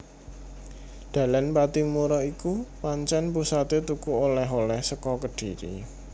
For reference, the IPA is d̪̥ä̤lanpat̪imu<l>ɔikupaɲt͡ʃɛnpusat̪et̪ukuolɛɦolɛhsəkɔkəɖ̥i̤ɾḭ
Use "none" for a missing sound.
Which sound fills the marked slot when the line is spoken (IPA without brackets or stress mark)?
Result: ɾ